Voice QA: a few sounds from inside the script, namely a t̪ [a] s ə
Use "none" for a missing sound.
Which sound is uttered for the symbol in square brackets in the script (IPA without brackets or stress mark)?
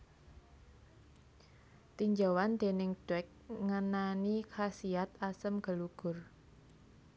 a